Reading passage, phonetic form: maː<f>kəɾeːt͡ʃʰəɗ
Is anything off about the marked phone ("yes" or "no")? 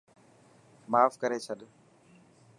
no